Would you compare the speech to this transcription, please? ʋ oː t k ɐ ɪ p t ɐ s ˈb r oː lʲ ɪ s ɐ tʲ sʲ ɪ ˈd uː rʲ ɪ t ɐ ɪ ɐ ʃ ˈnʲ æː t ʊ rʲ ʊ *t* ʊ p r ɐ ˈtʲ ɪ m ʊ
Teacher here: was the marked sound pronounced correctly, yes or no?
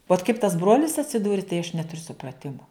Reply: no